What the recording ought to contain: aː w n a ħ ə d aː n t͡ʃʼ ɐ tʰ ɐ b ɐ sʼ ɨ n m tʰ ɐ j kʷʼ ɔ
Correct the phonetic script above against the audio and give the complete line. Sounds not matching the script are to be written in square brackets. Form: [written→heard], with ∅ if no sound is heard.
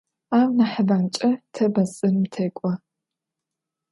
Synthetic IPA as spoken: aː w n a ħ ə [d→b] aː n t͡ʃʼ ɐ tʰ ɐ b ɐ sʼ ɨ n m tʰ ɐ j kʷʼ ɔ